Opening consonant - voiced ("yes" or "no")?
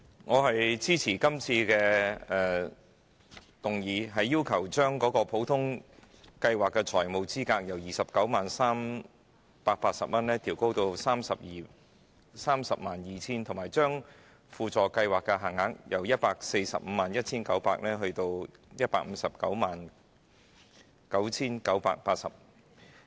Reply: yes